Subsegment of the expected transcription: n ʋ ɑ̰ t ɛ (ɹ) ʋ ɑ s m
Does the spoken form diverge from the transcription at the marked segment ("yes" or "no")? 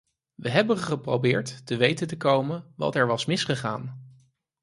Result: no